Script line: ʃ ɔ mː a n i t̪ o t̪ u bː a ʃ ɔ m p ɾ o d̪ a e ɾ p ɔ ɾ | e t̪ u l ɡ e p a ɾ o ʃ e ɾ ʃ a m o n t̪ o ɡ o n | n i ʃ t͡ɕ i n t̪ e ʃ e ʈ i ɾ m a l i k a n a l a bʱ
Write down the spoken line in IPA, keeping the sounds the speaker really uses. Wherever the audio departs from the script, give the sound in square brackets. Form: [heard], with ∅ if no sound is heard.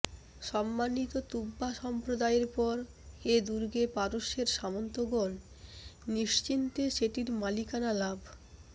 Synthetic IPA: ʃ ɔ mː a n i t̪ o t̪ u bː a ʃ ɔ m p ɾ o d̪ a e ɾ p ɔ ɾ | e [d̪] u [ɾ] ɡ e p a ɾ o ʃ e ɾ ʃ a m o n t̪ o ɡ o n | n i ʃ t͡ɕ i n t̪ e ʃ e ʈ i ɾ m a l i k a n a l a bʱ